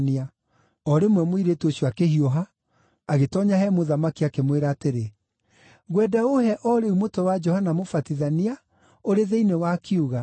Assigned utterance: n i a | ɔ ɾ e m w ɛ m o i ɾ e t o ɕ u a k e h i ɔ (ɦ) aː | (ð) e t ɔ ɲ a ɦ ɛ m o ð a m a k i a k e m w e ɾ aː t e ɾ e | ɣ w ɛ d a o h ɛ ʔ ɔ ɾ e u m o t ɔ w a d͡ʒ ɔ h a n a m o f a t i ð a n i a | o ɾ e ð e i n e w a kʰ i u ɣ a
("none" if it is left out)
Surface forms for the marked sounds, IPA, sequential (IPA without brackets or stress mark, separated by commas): ɦ, ɣ